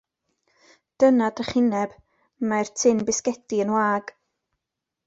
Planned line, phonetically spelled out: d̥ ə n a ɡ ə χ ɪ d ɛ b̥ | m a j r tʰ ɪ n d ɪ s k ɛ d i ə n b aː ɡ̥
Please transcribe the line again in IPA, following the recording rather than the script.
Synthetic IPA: d̥ ə n a d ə χ ɪ n ɛ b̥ | m a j r tʰ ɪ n b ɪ s k ɛ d i ə n w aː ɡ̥